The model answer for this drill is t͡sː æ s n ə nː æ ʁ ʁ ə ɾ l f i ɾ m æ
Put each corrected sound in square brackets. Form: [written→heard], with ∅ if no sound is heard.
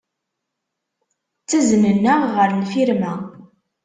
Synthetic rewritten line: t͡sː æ [s→z] n ə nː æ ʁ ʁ ə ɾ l f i ɾ m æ